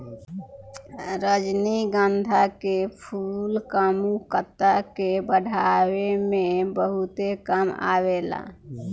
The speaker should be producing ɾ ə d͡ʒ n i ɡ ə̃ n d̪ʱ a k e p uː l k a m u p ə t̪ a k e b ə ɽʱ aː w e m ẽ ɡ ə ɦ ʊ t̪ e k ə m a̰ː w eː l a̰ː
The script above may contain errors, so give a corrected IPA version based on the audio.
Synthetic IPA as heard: ɾ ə d͡ʒ n i ɡ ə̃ n d̪ʱ a k e pʰ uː l k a m u k ə t̪ a k e b ə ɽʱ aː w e m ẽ b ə ɦ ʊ t̪ e k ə m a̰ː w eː l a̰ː